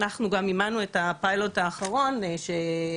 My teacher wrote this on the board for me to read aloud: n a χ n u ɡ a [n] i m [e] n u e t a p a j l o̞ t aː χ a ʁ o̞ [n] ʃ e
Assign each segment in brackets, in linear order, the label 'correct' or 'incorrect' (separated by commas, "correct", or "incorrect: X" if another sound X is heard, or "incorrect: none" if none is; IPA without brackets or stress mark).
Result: incorrect: m, incorrect: a, correct